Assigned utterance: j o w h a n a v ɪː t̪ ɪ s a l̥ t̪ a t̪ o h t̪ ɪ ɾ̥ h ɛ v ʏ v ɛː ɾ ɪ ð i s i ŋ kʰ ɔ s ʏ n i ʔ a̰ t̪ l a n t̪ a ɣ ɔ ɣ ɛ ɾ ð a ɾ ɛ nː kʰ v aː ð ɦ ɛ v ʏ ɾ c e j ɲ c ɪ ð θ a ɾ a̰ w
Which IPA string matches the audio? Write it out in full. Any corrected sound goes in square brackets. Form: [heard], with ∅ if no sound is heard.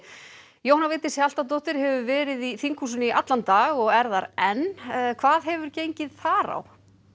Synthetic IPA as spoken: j o w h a n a v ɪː t̪ ɪ s a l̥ t̪ a t̪ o h t̪ ɪ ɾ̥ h ɛ v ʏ v ɛː ɾ ɪ ð i [θ] i ŋ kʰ [u] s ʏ n i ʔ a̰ t̪ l a n t̪ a ɣ ɔ ɣ ɛ ɾ ð a ɾ ɛ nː kʰ v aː ð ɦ ɛ v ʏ ɾ c e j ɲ c ɪ ð θ a ɾ a̰ w